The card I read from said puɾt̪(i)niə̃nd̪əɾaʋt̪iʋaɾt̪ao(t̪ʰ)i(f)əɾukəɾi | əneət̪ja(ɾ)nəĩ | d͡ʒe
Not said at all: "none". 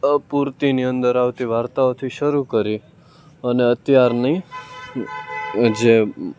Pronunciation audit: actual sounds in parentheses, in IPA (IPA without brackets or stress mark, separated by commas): i, t̪ʰ, ʃ, ɾ